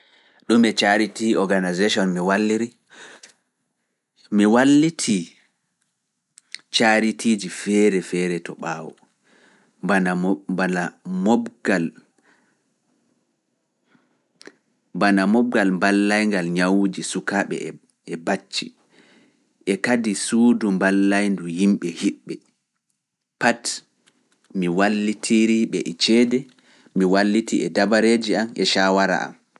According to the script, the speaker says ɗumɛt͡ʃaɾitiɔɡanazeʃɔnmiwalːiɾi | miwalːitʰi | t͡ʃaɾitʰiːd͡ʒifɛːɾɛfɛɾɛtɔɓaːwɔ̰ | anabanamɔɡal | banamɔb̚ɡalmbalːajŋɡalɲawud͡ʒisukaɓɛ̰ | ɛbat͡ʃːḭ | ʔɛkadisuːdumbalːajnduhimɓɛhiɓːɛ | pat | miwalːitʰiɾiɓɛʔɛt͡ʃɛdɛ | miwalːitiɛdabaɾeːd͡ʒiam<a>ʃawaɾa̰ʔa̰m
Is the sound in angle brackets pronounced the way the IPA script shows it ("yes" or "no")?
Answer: no